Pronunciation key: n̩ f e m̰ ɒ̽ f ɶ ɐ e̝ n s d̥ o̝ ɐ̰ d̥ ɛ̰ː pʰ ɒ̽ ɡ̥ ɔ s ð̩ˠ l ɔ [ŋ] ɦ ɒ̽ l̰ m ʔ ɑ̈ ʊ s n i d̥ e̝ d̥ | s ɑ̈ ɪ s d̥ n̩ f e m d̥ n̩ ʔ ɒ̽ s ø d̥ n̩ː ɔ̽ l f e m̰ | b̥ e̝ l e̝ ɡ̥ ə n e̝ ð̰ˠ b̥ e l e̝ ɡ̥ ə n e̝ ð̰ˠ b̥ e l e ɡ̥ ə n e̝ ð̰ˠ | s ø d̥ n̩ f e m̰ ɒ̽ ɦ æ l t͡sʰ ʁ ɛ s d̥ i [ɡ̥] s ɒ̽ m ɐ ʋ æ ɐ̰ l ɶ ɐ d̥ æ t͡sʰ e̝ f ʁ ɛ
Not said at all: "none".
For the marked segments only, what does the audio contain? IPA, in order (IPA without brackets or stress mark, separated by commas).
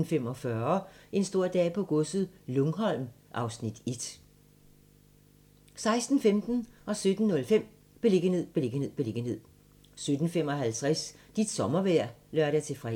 ŋ, d̥